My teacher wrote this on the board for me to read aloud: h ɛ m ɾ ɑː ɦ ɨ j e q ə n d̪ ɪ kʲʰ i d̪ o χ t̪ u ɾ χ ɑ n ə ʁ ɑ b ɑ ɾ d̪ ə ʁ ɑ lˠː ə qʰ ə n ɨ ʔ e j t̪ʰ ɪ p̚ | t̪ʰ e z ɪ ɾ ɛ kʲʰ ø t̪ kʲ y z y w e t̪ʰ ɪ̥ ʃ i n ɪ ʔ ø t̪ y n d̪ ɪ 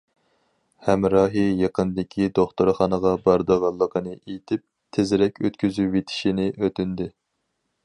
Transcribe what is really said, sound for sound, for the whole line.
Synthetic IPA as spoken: h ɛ m ɾ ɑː ɦ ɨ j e q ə n d̪ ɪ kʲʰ i d̪ o χ t̪ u ɾ χ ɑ n ə ʁ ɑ b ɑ ɾ d̪ ə ʁ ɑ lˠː ə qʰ ə n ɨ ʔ e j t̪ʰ ɪ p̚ | t̪ʰ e z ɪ ɾ ɛ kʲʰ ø t̪ kʲ y z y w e t̪ʰ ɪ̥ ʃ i n ɪ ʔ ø t̪ y n d̪ ɪ

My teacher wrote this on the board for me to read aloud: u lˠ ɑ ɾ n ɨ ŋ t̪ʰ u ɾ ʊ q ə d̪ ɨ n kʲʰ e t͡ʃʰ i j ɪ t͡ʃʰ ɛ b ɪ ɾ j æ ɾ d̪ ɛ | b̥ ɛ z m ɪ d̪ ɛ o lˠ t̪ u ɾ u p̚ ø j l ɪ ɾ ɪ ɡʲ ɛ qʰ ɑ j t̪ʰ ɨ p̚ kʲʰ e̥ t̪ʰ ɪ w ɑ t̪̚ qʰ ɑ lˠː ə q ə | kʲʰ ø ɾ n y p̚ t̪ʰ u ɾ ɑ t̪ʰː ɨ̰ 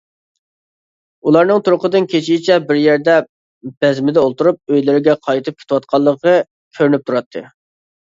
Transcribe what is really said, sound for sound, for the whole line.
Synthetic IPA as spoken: u lˠ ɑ ɾ n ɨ ŋ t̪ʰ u ɾ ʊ q ə d̪ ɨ n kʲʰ e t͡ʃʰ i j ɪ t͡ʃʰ ɛ b ɪ ɾ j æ ɾ d̪ ɛ | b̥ ɛ z m ɪ d̪ ɛ o lˠ t̪ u ɾ u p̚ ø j l ɪ ɾ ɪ ɡʲ ɛ qʰ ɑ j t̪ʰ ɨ p̚ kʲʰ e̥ t̪ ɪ w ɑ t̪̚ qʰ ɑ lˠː ə q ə | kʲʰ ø ɾ n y p̚ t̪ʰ u ɾ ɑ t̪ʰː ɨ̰

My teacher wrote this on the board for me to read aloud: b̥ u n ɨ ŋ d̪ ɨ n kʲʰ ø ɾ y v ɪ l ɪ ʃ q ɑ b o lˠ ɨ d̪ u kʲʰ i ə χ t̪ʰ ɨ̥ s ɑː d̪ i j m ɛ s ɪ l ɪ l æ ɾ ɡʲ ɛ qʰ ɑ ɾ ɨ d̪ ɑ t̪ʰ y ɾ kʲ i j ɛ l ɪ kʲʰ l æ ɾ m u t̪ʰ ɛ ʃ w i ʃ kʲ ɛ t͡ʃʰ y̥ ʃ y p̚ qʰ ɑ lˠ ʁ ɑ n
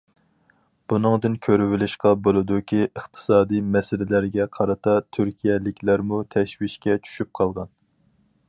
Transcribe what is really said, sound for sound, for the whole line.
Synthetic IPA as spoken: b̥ u n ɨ ŋ d̪ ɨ n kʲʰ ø ɾ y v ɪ l ɪ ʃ q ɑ b o lˠ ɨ d̪ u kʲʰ i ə χ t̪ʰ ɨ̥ s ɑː d̪ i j m ɛ s ɪ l ɪ l æ ɾ ɡʲ ɛ qʰ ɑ ɾ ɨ t̪ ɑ t̪ʰ y ɾ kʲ i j ɛ l ɪ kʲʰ l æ ɾ m u t̪ʰ ɛ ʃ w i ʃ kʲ ɛ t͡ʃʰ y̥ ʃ y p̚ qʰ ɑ lˠ ʁ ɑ n

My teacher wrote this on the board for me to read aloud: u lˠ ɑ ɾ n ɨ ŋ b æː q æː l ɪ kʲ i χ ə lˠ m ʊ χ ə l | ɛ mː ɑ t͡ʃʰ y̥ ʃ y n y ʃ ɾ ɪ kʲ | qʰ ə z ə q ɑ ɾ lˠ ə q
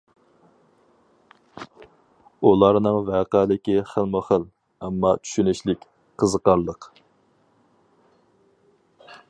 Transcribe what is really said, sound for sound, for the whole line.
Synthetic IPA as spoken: u lˠ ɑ ɾ n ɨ ŋ v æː q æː l ɪ kʲ i χ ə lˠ m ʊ χ ə l | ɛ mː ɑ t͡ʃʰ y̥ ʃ y n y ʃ l ɪ kʲ | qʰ ə z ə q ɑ ɾ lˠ ə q

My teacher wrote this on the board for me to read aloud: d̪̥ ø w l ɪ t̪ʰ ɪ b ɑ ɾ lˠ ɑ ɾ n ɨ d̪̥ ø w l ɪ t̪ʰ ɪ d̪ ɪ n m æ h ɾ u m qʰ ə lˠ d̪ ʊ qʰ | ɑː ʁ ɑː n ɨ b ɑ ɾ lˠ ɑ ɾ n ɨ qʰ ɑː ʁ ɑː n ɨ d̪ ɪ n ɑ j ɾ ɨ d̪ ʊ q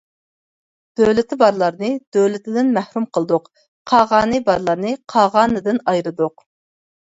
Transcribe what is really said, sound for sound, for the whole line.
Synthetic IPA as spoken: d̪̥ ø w l ɪ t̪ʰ ɪ b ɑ ɾ lˠ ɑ ɾ n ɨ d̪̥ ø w l ɪ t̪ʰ ɪ d̪ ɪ n m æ h ɾ u m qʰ ə lˠ d̪ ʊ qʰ | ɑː ʁ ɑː n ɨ b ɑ ɾ lˠ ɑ ɾ n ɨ qʰ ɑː ʁ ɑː n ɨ d̪ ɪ n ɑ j ɾ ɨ d̪ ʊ q

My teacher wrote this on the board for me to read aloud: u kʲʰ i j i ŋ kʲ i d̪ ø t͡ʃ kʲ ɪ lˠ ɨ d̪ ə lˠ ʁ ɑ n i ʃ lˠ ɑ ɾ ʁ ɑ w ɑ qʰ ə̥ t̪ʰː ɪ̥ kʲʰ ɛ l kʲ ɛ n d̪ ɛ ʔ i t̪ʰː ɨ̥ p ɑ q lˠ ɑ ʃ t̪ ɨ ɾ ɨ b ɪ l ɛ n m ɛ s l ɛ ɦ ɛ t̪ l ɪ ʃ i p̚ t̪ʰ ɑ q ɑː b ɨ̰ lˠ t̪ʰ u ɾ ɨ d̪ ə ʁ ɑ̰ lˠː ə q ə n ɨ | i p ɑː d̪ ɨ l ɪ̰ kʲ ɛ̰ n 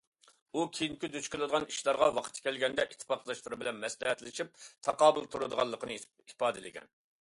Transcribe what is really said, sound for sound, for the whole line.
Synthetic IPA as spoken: u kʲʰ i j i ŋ kʲ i d̪ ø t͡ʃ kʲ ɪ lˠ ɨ d̪ ə ʁ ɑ n i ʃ lˠ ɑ ɾ ʁ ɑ w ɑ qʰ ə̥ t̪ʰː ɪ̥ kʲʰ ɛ l ɡʲ ɛ n d̪ ɛ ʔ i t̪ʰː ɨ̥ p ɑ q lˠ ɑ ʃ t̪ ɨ ɾ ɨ b ɪ l ɛ n m ɛ s l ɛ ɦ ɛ t̪ l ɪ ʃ i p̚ t̪ʰ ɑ q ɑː b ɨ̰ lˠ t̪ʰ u ɾ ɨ d̪ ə ʁ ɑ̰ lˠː ə q ə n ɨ | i p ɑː d̪ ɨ l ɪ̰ ɡʲ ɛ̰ n

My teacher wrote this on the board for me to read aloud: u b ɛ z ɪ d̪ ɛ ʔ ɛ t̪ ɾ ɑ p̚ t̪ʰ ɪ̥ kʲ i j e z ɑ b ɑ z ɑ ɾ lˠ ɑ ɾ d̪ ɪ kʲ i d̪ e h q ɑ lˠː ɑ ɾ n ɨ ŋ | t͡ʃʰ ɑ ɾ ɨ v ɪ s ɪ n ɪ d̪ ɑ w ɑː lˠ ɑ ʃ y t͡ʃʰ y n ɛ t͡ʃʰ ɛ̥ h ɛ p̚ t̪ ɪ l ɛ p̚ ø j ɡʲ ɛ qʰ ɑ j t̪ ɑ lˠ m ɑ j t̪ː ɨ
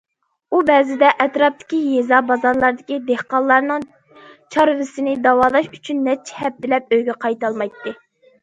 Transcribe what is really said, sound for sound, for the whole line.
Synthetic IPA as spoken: u b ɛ z ɪ d̪ ɛ ʔ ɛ t̪ ɾ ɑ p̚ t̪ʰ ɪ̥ kʲ i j e z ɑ b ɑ z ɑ ɾ lˠ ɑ ɾ d̪ ɪ kʲ i d̪ e h q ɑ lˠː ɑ ɾ n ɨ ŋ | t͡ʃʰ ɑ ɾ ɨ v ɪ s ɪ n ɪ d̪ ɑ w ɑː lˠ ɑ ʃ y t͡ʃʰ y nː ɛ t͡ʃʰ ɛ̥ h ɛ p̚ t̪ ɪ l ɛ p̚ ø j ɡʲ ɛ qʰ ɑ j t̪ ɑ lˠ m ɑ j t̪ː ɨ

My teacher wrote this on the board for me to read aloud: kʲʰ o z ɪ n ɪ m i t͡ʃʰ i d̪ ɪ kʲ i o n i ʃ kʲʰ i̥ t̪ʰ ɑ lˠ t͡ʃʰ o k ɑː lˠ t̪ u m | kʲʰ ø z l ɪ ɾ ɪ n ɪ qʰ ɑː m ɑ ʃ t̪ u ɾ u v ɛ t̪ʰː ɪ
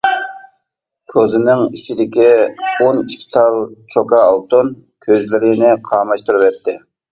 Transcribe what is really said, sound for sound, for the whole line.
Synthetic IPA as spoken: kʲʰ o z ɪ n ɪ ŋ i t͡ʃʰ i d̪ ɪ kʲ i o n i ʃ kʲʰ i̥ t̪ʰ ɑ lˠ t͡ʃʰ o k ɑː lˠ t̪ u n | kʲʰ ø z l ɪ ɾ ɪ n ɪ qʰ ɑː m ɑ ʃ t̪ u ɾ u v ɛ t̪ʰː ɪ

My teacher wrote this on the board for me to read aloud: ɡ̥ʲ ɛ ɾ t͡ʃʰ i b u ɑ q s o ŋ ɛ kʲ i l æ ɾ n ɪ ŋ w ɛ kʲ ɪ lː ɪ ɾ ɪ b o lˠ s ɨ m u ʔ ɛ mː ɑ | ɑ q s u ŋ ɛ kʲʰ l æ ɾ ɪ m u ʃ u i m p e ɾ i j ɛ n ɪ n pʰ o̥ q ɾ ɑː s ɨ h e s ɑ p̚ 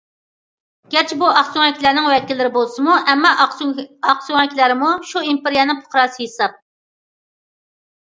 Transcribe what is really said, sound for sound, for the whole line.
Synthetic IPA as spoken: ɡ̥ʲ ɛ ɾ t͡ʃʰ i b u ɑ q s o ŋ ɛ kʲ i l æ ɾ n ɪ ŋ w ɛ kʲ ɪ lː ɪ ɾ ɪ b o lˠ s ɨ m u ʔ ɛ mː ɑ | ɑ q s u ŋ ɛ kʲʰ l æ ɾ ɪ m u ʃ u i m p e ɾ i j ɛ n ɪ ŋ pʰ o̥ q ɾ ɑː s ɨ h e s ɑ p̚

